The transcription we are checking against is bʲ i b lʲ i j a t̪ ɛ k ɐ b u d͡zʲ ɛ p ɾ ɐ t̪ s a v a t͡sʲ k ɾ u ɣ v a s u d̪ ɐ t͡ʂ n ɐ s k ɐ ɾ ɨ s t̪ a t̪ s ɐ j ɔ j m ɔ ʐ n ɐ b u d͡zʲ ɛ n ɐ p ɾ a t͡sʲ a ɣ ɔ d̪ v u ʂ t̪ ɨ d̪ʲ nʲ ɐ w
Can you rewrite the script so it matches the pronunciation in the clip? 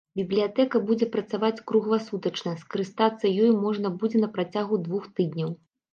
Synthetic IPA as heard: bʲ i b lʲ i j a t̪ ɛ k ɐ b u d͡zʲ ɛ p ɾ ɐ t̪ s a v a t͡sʲ k ɾ u ɣ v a s u t̪ ɐ t͡ʂ n ɐ s k ɐ ɾ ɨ s t̪ a t̪ sː ɐ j ɔ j m ɔ ʐ n ɐ b u d͡zʲ ɛ n ɐ p ɾ a t͡sʲ a ɣ u d̪ v u x t̪ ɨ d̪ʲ nʲ ɐ w

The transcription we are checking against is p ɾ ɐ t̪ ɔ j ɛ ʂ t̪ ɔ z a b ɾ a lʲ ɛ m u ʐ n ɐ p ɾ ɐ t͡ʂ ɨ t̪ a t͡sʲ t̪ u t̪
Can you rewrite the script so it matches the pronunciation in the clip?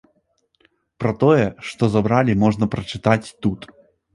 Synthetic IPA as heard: p ɾ ɐ t̪ ɔ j ɛ ʂ t̪ ɔ z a b ɾ a lʲ i m ɔ ʐ n ɐ p ɾ ɐ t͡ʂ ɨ t̪ a t͡sʲ t̪ u t̪

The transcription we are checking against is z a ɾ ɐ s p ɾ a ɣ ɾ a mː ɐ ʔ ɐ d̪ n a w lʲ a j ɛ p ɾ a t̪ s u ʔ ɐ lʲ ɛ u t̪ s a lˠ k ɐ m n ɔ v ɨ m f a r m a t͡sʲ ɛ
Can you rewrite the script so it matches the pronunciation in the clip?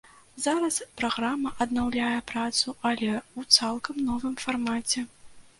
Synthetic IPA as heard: z a ɾ ɐ s p ɾ a ɣ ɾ a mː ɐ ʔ ɐ d̪ n a w lʲ a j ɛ p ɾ a t̪ s u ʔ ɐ lʲ ɛ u t̪ s a lˠ k ɐ m n ɔ v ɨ m f a r m a t͡sʲ ɛ

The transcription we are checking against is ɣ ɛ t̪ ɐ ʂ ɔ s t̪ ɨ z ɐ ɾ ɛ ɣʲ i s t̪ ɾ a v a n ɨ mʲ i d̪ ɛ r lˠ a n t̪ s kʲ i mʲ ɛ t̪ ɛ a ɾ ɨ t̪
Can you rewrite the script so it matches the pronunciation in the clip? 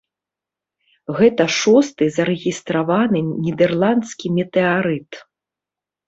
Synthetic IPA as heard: ɣ ɛ t̪ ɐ ʂ ɔ s t̪ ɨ z ɐ ɾ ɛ ɣʲ i s t̪ ɾ a v a n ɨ nʲ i d̪ ɛ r lˠ a n t̪ s kʲ i mʲ ɛ t̪ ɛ a ɾ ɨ t̪

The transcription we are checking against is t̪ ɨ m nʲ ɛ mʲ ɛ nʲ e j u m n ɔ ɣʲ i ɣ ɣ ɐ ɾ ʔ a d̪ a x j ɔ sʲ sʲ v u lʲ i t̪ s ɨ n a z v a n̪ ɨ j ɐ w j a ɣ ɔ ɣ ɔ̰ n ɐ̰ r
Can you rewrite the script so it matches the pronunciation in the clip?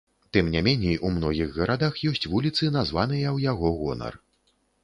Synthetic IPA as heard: t̪ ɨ m nʲ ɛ mʲ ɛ nʲ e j u m n ɔ ɣʲ i ɣ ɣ ɐ ɾ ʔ a d̪ a x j ɔ sʲ t͡sʲ v u lʲ i t̪ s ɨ n a z v a n̪ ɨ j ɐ w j a ɣ ɔ ɣ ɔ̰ n ɐ̰ r

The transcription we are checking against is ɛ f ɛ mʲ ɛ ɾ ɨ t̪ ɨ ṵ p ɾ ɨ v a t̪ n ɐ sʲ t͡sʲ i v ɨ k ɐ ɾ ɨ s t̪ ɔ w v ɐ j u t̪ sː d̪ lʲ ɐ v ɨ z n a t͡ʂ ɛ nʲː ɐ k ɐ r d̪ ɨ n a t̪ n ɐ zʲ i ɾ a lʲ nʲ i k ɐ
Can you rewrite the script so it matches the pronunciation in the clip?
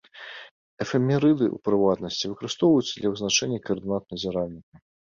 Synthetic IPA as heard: ɛ f ɛ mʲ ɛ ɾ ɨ d̪ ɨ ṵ p ɾ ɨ v a t̪ n ɐ sʲ t͡sʲ i v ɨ k ɐ ɾ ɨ s t̪ ɔ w v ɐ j u t̪ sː d̪ lʲ ɐ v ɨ z n a t͡ʂ ɛ nʲː ɐ k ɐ r d̪ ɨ n a t̪ n ɐ zʲ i ɾ a lʲ nʲ i k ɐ

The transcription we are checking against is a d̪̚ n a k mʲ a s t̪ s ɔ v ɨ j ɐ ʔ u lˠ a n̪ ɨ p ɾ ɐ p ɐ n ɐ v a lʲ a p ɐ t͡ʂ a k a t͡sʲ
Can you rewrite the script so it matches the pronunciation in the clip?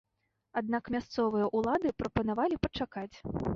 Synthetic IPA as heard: a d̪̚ n a k mʲ a s t̪ s ɔ v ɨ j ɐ ʔ u lˠ a d̪ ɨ p ɾ ɐ p ɐ n a v a lʲ i p ɐ t͡ʂ a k a t͡sʲ

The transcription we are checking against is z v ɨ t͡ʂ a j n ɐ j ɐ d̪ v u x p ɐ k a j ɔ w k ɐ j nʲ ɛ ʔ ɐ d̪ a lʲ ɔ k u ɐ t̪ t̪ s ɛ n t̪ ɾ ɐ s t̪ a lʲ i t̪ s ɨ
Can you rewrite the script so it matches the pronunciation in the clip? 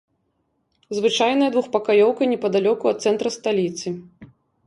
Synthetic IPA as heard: z v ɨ t͡ʂ a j n ɐ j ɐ d̪ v u x p ɐ k a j ɔ w k ɐ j nʲ ɛ p ɐ d̪ a lʲ ɔ k u ɐ t̪ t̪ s ɛ n t̪ ɾ ɐ s t̪ a lʲ i t̪ s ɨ

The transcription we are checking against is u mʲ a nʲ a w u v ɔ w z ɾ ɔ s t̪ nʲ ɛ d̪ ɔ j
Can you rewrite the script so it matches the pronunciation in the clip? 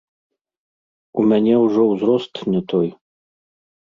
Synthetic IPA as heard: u mʲ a nʲ ɛ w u ʐ ɔ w z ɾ ɔ s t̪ nʲ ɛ t̪ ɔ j

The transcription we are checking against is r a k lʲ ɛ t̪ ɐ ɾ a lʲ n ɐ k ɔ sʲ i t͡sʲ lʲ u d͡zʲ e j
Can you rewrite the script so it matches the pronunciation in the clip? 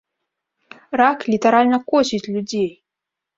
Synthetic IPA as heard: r a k lʲ i t̪ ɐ ɾ a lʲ n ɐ k ɔ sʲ i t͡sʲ lʲ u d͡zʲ e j

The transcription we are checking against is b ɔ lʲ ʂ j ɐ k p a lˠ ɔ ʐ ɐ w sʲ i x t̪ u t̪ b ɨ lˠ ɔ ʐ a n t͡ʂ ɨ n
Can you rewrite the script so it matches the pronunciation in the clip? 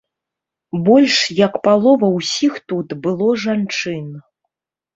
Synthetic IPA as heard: b ɔ lʲ ʂ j ɐ k p a lˠ ɔ v ɐ w sʲ i x t̪ u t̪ b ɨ lˠ ɔ ʐ a n t͡ʂ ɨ n

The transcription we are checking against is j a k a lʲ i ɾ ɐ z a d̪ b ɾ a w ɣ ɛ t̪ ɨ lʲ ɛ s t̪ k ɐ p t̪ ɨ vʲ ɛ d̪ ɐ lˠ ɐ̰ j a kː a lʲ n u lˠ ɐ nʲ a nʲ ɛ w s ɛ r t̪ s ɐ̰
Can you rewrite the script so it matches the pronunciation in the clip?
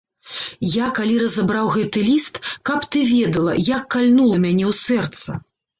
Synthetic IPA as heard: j a k a lʲ i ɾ ɐ z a b ɾ a w ɣ ɛ t̪ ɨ lʲ i s t̪ k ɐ p t̪ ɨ vʲ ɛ d̪ ɐ lˠ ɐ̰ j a kː a lʲ n u lˠ ɐ mʲ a nʲ ɛ w s ɛ r t̪ s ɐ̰

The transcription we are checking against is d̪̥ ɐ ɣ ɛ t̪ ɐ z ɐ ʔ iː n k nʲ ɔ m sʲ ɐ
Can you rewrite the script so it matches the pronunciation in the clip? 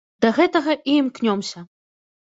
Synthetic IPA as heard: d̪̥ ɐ ɣ ɛ t̪ ɐ ɣ ɐ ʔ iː m k nʲ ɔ m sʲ ɐ

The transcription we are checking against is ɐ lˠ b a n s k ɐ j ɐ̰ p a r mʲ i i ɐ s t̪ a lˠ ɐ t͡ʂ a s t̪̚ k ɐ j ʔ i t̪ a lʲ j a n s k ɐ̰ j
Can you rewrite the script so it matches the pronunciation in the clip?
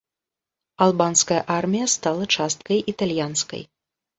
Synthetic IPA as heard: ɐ lˠ b a n s k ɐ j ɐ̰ ʔ a r mʲ i j ɐ s t̪ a lˠ ɐ t͡ʂ a s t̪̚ k ɐ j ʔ i t̪ a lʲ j a n s k ɐ̰ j

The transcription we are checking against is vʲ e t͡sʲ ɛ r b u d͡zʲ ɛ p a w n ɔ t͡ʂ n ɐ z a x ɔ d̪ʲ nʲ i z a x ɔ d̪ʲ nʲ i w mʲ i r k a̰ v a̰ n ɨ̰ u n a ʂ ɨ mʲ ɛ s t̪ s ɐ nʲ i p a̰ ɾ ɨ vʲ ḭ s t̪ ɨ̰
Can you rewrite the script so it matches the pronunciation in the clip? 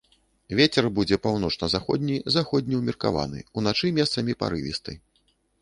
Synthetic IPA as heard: vʲ e t͡sʲ ɛ r b u d͡zʲ ɛ p a w n ɔ t͡ʂ n ɐ z a x ɔ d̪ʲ nʲ i z a x ɔ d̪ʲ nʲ i w mʲ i r k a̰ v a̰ n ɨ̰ u n a t͡ʂ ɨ mʲ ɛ s t̪ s ɐ mʲ i p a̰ ɾ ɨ vʲ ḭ s t̪ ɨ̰

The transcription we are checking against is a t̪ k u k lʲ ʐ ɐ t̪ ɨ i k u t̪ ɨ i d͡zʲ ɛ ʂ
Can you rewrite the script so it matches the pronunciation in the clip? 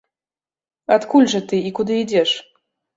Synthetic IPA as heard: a t̪ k u lʲ ʐ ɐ t̪ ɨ i k u d̪ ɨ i d͡zʲ ɛ ʂ

